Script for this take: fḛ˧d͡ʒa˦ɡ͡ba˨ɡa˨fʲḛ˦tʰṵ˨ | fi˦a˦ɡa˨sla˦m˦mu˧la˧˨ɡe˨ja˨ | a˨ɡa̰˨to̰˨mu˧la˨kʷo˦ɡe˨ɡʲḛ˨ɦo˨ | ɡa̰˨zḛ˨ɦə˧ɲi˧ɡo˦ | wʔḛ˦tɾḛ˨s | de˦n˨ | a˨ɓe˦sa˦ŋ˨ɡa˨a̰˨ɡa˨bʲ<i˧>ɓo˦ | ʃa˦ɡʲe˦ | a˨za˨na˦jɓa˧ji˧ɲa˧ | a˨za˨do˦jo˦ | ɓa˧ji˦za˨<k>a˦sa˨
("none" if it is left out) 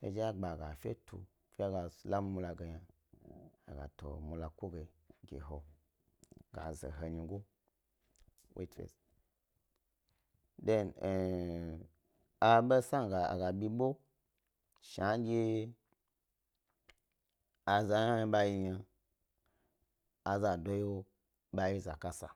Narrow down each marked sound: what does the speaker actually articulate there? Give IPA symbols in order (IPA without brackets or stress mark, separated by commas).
i˧, k